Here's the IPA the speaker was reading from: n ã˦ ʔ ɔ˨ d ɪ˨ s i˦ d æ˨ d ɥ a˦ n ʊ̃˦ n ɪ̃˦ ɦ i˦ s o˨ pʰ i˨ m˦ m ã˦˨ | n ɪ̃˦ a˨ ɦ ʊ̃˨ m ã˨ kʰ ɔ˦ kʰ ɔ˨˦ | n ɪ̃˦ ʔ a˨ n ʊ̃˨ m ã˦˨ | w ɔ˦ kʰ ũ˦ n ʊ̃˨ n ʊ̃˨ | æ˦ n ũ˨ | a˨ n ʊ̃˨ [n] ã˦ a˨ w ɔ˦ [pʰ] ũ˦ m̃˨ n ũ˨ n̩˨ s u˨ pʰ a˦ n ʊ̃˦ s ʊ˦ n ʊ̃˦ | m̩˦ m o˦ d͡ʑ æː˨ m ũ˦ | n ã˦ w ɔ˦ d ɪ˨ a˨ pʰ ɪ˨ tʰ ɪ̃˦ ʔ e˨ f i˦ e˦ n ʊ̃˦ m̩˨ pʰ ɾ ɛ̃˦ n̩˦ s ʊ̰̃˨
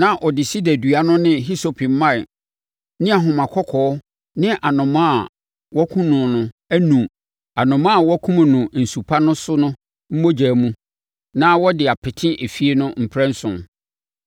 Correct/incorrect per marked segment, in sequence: incorrect, incorrect

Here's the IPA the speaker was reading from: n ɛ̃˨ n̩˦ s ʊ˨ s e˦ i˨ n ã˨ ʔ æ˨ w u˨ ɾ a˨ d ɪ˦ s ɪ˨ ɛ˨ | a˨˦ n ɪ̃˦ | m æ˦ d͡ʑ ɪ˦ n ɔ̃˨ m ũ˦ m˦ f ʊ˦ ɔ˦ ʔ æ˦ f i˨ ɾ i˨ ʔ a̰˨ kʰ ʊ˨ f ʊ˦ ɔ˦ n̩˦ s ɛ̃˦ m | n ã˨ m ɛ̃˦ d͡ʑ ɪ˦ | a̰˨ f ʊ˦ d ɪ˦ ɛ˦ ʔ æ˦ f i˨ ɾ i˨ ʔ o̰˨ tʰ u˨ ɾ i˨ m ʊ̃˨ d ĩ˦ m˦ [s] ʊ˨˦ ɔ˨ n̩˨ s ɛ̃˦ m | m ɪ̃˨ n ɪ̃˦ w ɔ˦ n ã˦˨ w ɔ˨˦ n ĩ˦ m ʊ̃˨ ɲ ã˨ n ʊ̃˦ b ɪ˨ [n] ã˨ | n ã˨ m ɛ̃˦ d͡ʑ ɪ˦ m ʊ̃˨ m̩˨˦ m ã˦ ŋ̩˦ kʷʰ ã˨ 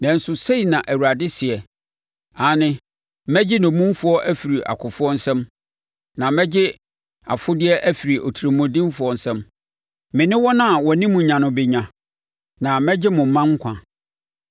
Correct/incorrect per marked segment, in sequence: incorrect, incorrect

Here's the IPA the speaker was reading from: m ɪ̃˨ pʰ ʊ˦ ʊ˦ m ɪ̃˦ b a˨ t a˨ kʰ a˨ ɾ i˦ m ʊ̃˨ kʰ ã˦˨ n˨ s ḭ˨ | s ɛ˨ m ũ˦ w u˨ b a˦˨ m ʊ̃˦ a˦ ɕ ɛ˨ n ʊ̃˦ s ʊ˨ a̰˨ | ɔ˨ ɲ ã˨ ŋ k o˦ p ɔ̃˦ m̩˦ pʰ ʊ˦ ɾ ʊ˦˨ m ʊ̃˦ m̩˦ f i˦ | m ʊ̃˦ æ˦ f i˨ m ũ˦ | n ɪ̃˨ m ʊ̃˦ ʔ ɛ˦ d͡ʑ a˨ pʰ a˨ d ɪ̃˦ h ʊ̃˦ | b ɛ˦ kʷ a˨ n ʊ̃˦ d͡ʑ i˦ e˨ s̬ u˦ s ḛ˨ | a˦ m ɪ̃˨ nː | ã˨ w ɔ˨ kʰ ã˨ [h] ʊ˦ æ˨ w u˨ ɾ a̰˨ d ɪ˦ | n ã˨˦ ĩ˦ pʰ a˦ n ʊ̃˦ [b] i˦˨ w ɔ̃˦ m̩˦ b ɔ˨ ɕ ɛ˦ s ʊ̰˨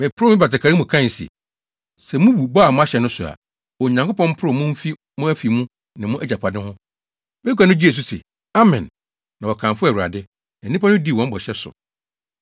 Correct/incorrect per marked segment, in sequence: incorrect, incorrect

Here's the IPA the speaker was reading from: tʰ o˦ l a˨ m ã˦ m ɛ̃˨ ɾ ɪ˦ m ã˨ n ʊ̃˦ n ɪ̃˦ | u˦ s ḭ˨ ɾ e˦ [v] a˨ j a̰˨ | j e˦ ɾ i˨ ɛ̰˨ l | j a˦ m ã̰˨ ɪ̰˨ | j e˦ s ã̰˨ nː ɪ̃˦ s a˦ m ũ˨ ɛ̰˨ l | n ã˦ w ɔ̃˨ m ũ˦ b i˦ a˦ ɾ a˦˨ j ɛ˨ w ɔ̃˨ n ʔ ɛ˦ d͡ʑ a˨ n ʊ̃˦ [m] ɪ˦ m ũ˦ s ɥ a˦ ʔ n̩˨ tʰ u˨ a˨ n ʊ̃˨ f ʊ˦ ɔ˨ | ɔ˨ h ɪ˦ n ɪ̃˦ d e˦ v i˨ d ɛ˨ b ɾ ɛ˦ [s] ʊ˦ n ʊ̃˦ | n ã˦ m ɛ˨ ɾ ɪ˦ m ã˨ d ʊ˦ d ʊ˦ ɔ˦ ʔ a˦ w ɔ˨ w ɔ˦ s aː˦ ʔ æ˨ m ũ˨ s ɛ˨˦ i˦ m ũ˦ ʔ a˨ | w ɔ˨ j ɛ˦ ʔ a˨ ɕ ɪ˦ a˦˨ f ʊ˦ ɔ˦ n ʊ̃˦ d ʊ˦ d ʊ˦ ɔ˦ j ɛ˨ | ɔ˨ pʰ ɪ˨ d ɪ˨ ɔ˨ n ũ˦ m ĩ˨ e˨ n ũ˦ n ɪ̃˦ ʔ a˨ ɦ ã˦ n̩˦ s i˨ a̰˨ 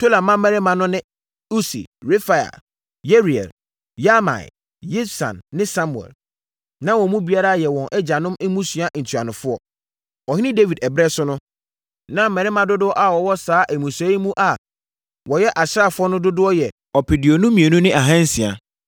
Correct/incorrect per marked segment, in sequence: incorrect, correct, correct

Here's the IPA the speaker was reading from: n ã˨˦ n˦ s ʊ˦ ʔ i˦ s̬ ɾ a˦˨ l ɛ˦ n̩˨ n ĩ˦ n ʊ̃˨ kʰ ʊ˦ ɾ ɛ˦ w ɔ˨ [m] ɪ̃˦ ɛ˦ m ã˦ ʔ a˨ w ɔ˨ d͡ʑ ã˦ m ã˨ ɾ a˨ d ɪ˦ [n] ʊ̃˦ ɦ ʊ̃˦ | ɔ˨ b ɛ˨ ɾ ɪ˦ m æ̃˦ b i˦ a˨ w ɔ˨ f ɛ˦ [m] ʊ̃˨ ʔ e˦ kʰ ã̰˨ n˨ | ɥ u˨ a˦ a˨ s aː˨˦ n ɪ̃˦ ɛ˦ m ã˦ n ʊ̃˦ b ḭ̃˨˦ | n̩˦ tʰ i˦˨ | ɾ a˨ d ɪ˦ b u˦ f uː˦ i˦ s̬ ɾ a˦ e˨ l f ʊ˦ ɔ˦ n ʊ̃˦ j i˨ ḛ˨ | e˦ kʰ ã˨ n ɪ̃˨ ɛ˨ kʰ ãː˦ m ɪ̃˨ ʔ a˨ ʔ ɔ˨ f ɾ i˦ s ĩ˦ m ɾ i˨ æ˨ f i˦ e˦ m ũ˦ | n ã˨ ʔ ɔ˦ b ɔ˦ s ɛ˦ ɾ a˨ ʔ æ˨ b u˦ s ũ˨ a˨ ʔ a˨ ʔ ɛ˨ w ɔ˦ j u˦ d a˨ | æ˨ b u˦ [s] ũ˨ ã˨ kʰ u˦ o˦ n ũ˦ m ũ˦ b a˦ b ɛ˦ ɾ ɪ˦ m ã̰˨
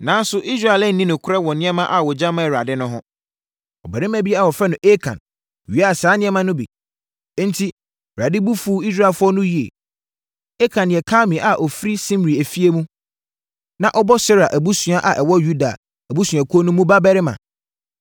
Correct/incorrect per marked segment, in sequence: incorrect, correct, incorrect, correct

